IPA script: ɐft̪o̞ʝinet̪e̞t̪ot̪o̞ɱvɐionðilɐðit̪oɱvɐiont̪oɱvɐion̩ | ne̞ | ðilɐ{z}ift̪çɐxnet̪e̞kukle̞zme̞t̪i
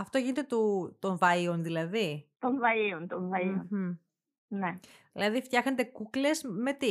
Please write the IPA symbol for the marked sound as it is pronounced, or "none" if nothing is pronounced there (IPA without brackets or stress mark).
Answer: ð